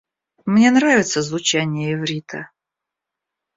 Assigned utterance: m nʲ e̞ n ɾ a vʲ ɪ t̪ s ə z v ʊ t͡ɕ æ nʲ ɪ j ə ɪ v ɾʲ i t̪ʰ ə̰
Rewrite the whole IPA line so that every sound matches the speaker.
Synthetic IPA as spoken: m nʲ e̞ n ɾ a vʲ ɪ t̪ s ə z v ʊ t͡ɕ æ nʲ ɪ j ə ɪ v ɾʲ i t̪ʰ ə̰